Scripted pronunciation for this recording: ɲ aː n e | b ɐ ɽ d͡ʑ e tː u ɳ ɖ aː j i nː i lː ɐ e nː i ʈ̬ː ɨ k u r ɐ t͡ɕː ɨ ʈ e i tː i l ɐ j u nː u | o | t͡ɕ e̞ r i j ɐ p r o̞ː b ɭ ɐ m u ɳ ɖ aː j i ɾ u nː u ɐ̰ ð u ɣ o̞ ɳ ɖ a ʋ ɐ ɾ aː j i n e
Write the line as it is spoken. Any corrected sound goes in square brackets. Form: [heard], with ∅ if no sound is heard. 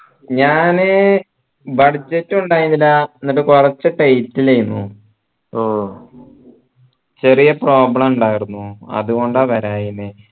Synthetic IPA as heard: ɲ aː n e | b ɐ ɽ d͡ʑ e tː u ɳ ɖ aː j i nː i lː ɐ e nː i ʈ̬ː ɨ k u r ɐ t͡ɕː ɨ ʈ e [j] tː i l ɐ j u nː u | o | t͡ɕ e̞ r i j ɐ p r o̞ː b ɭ ɐ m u ɳ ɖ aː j i ɾ u nː u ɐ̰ ð u ɣ o̞ ɳ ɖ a ʋ ɐ ɾ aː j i n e